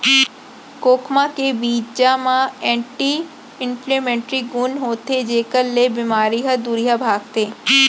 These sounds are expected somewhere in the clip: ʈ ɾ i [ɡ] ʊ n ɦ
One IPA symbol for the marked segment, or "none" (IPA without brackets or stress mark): ɡ